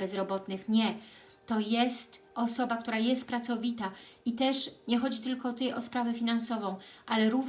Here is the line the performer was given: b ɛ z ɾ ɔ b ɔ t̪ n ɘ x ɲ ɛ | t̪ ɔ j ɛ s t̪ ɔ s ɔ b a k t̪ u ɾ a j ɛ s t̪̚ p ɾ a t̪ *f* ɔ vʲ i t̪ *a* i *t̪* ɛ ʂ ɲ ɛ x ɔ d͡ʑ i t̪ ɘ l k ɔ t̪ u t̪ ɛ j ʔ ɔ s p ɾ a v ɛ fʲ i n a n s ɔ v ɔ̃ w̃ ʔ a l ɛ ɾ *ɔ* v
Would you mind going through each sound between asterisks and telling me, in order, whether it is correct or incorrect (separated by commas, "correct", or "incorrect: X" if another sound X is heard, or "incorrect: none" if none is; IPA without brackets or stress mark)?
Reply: incorrect: s, correct, correct, incorrect: u